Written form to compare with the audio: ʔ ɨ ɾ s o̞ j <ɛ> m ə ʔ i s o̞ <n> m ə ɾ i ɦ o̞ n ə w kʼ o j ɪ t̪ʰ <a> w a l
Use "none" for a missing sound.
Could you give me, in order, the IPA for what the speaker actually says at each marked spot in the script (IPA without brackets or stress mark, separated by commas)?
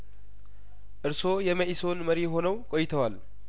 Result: ɛ, n, ə